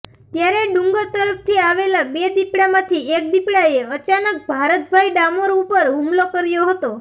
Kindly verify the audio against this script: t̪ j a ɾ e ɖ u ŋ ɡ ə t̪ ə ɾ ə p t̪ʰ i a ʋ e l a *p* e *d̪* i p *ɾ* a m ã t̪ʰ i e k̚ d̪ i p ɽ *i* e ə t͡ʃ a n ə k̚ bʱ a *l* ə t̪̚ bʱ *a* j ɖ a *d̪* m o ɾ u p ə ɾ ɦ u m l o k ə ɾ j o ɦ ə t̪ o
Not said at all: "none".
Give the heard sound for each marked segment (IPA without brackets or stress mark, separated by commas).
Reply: b, d̪, ɽ, a, ɾ, a, none